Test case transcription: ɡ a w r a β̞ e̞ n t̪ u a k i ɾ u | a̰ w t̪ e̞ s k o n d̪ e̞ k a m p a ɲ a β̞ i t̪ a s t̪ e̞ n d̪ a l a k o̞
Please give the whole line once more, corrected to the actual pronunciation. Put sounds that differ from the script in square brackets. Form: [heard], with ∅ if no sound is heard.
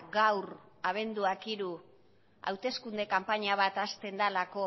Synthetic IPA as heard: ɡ a w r a β̞ e̞ n [d̪] u a k i ɾ u | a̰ w t̪ e̞ s k [u] n d̪ e̞ k a m p a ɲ a β̞ [a] t̪ a s t̪ e̞ n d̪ a l a k o̞